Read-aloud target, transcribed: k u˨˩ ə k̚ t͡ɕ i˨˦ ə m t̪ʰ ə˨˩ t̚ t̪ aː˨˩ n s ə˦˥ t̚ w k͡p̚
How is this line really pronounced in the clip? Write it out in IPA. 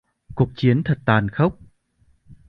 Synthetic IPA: k u˨˩ ə k̚ t͡ɕ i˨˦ ə n t̪ʰ ə˨˩ t̚ t̪ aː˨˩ n x ə˦˥ w k͡p̚